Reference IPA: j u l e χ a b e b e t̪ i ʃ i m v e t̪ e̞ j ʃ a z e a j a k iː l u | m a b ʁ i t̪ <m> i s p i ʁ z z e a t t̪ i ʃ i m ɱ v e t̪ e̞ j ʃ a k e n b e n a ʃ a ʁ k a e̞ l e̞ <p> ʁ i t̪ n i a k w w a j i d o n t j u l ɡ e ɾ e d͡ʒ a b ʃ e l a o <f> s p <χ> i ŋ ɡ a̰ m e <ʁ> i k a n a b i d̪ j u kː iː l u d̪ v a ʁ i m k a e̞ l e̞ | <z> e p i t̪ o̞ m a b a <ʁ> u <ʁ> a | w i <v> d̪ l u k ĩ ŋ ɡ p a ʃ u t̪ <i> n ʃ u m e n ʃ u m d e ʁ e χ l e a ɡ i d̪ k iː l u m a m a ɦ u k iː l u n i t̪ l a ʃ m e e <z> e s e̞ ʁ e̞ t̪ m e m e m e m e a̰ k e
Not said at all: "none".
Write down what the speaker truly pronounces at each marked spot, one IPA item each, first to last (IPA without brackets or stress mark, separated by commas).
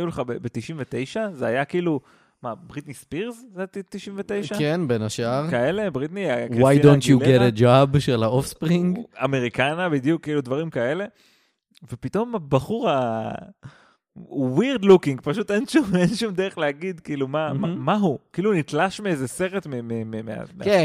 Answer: n, b, f, ʁ, ʁ, v, χ, ʁ, ʁ, e, z